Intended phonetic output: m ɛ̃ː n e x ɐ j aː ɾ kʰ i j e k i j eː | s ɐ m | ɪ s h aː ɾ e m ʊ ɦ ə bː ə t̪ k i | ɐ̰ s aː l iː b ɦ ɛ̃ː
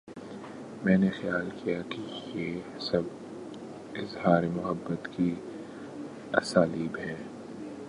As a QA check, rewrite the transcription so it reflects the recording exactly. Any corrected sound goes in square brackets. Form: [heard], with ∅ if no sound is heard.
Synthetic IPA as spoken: m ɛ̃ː n e x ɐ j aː [l] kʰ i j [a] k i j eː | s ɐ [b] | ɪ [z] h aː ɾ e m ʊ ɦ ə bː ə t̪ k i | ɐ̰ s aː l iː b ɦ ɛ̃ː